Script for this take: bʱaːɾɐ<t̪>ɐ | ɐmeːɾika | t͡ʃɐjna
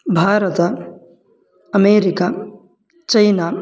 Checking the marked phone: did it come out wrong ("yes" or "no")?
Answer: no